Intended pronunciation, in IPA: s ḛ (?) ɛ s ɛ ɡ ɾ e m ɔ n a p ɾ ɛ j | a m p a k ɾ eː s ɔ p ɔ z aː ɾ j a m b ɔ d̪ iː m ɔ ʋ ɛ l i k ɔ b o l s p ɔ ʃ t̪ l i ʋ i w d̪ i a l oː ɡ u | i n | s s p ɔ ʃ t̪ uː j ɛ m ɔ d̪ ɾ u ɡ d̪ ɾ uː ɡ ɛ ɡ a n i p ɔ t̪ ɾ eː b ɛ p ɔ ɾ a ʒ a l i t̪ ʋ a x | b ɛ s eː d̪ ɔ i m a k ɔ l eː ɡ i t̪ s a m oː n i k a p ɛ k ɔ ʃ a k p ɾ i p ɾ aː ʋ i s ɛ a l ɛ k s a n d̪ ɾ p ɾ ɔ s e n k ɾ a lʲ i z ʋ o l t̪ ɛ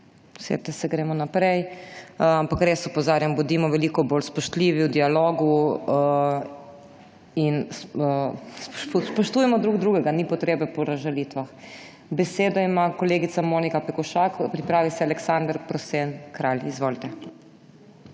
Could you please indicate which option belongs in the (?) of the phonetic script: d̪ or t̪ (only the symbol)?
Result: t̪